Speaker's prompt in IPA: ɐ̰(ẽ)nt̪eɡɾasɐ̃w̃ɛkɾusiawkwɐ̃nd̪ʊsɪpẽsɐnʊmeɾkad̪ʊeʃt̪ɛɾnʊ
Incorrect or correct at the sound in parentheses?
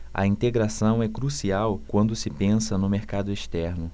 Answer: incorrect: ĩ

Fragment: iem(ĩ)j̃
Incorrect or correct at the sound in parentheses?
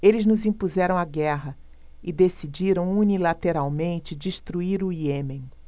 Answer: incorrect: ẽ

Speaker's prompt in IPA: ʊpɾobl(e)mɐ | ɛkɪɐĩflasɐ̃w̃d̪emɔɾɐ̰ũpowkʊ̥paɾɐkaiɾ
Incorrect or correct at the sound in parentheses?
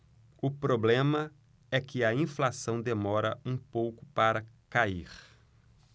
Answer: incorrect: ẽ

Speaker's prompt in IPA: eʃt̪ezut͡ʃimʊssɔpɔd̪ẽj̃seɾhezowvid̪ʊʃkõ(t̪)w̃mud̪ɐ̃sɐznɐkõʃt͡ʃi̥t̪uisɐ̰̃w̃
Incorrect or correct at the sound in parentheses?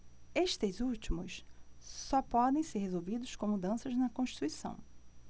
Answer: incorrect: none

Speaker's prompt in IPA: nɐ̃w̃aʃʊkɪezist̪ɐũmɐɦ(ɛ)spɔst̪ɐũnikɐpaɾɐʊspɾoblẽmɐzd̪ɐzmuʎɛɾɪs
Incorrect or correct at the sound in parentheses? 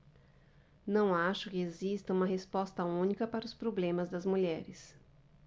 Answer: incorrect: e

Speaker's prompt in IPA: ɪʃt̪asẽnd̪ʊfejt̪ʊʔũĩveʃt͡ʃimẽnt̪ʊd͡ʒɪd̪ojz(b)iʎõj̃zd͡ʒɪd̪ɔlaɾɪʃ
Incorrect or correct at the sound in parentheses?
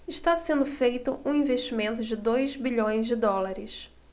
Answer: correct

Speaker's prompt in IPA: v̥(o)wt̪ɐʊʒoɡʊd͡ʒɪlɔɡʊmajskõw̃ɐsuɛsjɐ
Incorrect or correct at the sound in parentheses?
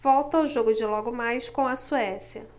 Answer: incorrect: ɔ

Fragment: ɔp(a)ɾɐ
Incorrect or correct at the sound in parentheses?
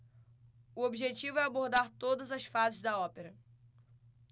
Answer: incorrect: e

